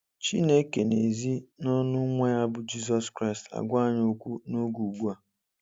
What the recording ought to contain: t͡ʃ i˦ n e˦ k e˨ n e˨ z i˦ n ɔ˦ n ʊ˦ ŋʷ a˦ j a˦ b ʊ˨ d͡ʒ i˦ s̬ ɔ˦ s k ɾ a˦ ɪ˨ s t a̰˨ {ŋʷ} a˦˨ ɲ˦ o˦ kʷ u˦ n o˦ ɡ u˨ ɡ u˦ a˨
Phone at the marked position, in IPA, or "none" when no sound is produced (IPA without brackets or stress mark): ɡʷ